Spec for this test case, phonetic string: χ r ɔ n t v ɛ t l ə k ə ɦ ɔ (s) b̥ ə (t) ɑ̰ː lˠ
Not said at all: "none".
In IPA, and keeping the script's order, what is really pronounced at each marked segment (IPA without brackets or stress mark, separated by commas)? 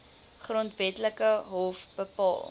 f, p